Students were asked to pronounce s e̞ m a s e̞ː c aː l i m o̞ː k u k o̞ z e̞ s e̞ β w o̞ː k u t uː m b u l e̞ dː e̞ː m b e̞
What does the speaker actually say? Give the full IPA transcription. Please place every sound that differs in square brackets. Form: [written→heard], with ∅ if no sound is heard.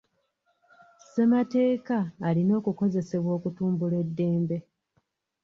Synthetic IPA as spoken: s e̞ m a [s→t] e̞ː [c→k] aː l i [m→n] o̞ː k u k o̞ z e̞ s e̞ β w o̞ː k u t uː m b u l e̞ dː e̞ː m b e̞

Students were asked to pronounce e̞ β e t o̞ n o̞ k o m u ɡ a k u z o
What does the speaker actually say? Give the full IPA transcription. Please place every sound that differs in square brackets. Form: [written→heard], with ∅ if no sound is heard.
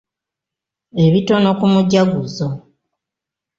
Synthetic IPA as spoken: e̞ β [e→i] t o̞ n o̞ k [o→u] m u [ɡ→ɟ] a [k→ɡ] u z o

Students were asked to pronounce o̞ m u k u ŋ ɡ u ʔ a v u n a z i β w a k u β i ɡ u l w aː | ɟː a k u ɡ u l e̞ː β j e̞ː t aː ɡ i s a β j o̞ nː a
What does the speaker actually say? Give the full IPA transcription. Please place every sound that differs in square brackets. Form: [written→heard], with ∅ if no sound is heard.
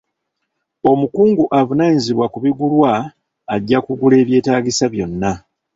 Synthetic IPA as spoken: o̞ m u k [u→uː] ŋ ɡ u ʔ a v u n a z i β w a k u β i ɡ u l w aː | ɟː a k u ɡ u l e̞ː β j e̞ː t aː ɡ i s a β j o̞ nː a

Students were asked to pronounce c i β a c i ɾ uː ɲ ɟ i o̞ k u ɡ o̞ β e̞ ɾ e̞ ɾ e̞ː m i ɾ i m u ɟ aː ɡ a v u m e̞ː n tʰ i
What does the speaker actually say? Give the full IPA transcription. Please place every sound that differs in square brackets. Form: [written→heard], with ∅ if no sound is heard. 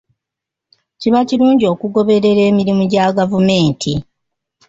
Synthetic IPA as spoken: c i β a c i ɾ uː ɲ ɟ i o̞ k u ɡ o̞ β e̞ ɾ e̞ ɾ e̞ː m i ɾ i m u ɟ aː ɡ a v u m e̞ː n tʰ i

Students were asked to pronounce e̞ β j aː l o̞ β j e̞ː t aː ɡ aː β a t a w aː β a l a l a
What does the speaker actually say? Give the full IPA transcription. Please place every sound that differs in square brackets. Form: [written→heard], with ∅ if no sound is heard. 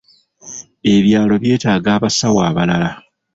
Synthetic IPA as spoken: e̞ β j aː l o̞ β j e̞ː t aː ɡ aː β a [t→s] a w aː β a l a l a

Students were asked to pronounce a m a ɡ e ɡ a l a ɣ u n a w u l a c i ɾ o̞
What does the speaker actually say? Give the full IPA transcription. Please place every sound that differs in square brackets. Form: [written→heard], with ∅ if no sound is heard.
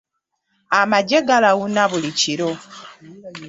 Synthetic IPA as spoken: a m a [ɡ→ɟ] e ɡ a l a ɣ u n a [w→β] u l [a→i] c i ɾ o̞

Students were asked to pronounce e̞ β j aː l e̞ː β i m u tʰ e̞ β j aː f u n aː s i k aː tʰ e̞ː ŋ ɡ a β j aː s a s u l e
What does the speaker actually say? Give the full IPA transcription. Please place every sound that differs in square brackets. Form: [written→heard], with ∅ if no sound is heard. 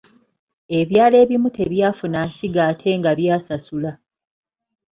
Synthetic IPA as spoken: e̞ β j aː l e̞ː β i m u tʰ e̞ β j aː f u n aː s i [k→ɡ] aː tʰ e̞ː ŋ ɡ a β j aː s a s u l [e→a]

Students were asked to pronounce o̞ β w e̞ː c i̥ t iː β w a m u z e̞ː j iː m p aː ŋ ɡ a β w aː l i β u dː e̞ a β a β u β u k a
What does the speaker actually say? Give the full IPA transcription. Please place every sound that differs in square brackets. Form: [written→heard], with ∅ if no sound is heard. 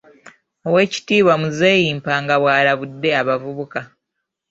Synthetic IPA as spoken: o̞ [β→∅] w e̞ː c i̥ t iː β w a m u z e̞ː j iː m p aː ŋ ɡ a β w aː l [i→a] β u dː e̞ a β a [β→v] u β u k a

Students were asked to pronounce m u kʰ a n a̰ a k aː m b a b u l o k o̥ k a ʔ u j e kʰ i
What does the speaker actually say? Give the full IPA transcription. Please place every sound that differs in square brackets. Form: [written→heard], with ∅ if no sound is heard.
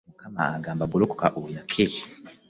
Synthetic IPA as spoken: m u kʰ a [n→m] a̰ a [k→ɡ] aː m b a b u l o k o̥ k a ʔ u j [e→a] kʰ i

